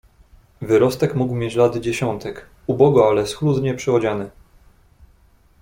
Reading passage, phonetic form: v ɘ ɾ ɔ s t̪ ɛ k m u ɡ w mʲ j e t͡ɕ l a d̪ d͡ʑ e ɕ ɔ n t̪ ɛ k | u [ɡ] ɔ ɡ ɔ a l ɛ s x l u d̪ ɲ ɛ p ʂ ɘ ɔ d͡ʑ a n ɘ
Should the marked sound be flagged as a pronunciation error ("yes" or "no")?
yes